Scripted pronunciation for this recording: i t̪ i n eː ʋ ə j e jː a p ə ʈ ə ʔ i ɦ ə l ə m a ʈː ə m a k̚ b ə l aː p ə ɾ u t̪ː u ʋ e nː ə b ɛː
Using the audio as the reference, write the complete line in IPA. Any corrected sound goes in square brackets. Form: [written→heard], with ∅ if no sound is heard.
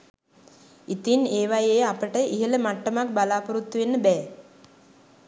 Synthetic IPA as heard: i t̪ i n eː ʋ [ə→a] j e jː a p ə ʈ ə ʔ i ɦ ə l ə m a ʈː ə m a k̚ b [ə→a] l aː p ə ɾ u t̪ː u ʋ e nː ə b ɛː